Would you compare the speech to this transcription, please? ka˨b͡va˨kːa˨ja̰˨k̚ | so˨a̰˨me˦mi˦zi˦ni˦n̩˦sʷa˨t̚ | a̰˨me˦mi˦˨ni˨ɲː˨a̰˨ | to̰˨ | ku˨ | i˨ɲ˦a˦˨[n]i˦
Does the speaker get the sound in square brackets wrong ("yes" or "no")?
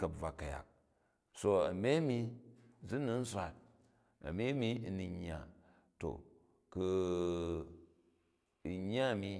yes